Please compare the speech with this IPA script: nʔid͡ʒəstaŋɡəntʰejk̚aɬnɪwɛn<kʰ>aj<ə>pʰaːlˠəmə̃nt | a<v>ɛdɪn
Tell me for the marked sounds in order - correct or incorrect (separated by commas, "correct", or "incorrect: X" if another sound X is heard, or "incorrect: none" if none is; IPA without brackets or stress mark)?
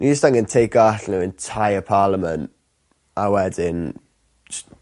incorrect: tʰ, correct, incorrect: w